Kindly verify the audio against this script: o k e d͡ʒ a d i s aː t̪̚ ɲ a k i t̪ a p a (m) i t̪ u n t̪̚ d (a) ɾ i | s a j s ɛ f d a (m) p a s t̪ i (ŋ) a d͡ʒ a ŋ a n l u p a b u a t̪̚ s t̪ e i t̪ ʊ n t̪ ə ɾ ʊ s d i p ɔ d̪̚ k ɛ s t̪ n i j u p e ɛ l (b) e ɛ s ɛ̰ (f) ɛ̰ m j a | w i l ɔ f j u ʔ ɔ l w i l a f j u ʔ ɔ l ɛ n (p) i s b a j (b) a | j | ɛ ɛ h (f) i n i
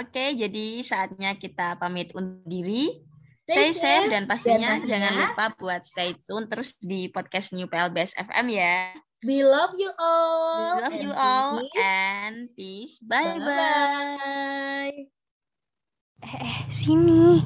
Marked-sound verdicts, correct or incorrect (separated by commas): correct, incorrect, incorrect, incorrect, correct, correct, correct, correct, incorrect